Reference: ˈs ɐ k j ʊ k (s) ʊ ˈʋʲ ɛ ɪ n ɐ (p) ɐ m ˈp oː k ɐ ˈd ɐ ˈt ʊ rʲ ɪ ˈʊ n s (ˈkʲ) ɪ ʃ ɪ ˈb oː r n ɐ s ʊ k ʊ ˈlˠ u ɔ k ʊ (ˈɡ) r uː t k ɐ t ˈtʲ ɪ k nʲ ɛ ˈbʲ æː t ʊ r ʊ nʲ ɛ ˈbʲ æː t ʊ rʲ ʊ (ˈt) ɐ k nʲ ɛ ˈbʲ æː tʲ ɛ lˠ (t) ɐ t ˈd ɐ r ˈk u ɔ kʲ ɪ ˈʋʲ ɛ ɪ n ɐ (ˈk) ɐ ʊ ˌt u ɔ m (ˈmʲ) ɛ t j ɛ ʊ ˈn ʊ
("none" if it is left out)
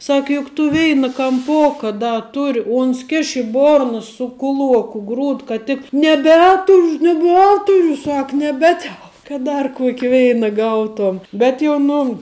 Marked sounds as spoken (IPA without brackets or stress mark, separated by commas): t, k, kʲ, ɡ, s, k, ɡ, bʲ